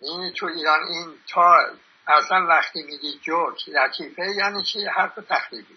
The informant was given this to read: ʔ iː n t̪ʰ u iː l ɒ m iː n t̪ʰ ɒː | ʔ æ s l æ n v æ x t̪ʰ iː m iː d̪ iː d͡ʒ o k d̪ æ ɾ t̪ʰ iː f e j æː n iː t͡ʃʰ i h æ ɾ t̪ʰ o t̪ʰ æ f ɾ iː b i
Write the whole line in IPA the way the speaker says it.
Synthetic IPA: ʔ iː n t̪ʰ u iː ɾ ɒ n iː n t̪ʰ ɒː | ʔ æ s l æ n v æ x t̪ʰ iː m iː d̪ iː d͡ʒ o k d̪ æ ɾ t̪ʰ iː f e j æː n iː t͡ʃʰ i h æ ɾ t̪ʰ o t̪ʰ æ x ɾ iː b i